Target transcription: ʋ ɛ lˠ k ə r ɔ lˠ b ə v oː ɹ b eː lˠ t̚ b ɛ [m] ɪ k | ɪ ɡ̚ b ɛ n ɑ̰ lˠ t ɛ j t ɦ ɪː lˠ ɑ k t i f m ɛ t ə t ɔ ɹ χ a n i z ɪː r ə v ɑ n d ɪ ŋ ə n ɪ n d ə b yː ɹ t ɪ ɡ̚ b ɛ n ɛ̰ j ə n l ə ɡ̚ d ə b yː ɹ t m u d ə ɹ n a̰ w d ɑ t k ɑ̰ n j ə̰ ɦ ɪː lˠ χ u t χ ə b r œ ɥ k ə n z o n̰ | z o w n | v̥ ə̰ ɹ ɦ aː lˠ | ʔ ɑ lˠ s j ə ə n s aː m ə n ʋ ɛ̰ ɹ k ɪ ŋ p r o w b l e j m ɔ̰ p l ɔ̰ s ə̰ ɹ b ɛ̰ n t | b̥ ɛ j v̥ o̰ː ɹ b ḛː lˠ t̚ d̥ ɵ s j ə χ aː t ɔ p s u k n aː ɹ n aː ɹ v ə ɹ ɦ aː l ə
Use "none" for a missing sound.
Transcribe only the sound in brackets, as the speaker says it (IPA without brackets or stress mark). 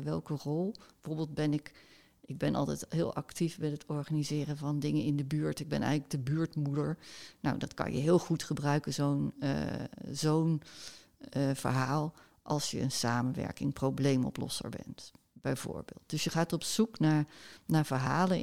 n